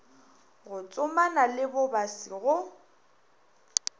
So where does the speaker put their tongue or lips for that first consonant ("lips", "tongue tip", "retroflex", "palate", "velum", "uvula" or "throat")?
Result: velum